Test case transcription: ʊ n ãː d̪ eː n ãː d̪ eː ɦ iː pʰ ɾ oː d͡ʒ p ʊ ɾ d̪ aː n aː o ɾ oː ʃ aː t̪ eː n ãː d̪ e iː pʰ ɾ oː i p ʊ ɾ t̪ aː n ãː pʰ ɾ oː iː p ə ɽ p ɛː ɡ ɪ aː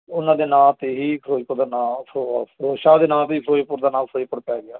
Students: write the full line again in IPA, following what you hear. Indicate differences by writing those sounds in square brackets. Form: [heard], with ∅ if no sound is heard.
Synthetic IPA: ʊ n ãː d̪ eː n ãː [t̪] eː ɦ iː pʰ ɾ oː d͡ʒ p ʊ ɾ d̪ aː n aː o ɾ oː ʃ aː [d̪] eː n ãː [t̪] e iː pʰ ɾ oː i p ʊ ɾ [d̪] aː n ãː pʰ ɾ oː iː p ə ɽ p ɛː ɡ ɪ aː